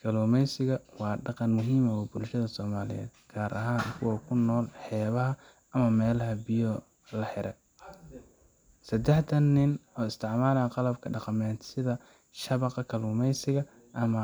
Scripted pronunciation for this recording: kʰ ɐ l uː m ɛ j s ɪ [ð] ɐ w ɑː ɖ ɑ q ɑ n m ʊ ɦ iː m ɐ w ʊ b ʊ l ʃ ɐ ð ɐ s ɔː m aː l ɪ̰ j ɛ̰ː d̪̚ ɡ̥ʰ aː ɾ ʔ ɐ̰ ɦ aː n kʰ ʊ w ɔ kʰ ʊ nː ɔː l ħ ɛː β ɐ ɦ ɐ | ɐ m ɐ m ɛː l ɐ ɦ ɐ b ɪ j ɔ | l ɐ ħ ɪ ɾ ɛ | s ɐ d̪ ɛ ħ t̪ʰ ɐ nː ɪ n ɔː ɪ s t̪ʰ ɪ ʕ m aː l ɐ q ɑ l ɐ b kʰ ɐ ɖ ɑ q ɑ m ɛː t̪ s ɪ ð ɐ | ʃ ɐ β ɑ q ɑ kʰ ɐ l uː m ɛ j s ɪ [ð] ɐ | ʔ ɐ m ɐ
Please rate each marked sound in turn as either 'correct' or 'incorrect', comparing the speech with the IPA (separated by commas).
incorrect, incorrect